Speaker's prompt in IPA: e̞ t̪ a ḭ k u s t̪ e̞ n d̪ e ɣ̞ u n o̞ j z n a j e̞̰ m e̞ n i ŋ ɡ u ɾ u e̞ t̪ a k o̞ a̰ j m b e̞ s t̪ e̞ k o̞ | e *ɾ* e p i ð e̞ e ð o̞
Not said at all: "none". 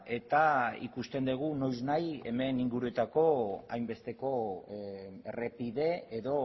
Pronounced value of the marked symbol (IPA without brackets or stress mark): r